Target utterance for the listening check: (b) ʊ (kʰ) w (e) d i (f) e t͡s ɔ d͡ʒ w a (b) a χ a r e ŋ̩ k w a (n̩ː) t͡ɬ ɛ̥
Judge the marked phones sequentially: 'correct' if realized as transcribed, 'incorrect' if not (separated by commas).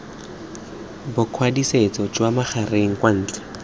correct, correct, incorrect, incorrect, incorrect, correct